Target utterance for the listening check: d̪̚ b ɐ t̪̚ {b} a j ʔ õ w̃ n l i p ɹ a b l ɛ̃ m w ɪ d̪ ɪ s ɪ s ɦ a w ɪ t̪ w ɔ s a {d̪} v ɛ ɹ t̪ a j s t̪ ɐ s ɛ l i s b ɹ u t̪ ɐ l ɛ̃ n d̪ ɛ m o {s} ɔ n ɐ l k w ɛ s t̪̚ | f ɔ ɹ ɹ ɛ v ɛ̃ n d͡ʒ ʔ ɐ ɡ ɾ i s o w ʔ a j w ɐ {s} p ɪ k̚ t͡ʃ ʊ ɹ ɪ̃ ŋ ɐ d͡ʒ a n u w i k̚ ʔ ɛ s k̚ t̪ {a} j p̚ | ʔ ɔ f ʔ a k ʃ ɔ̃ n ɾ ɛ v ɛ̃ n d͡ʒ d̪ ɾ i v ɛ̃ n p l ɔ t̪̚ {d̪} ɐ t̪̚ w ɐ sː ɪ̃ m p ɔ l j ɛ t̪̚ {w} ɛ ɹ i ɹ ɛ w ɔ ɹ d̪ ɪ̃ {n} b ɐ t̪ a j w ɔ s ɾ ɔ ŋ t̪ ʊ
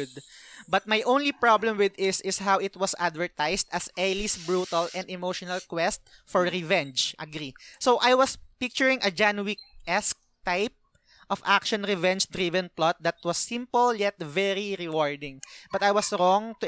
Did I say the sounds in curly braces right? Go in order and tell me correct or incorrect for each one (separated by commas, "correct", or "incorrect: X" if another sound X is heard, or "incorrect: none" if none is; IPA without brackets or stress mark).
incorrect: m, correct, incorrect: ʃ, correct, correct, correct, incorrect: v, incorrect: ŋ